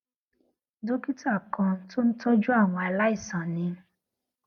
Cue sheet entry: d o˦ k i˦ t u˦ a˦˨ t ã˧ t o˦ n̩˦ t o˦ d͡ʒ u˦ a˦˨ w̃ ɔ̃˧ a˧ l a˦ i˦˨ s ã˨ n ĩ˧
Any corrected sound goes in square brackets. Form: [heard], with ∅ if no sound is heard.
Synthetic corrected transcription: d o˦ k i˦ t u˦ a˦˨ [k] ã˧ t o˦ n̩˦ t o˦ d͡ʒ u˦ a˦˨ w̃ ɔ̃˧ a˧ l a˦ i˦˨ s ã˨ n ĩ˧